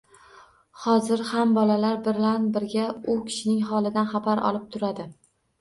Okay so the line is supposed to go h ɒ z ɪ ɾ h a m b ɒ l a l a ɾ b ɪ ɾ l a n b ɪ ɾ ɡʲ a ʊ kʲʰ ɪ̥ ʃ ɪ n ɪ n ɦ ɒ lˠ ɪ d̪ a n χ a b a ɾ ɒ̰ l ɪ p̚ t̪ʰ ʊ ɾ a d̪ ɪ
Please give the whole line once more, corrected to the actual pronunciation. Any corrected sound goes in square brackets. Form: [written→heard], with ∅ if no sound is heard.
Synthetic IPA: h ɒ z ɪ ɾ h a m b ɒ l a l a ɾ b ɪ ɾ l a n b ɪ ɾ ɡʲ a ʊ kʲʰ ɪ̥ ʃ ɪ n ɪ [n→ŋ] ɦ ɒ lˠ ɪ d̪ a n χ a b a ɾ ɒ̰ l ɪ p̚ t̪ʰ ʊ ɾ a d̪ ɪ